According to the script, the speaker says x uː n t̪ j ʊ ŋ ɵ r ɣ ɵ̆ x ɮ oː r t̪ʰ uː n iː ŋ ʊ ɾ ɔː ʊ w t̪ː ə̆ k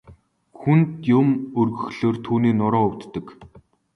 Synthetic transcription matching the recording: x u n t̪ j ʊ m ɵ r ɣ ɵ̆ x ɮ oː r t̪ʰ uː n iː n ʊ ɾ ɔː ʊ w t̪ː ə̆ k